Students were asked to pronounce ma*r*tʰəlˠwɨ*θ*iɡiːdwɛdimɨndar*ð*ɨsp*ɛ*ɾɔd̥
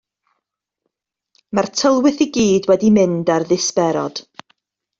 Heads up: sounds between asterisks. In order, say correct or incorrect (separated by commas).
correct, correct, correct, correct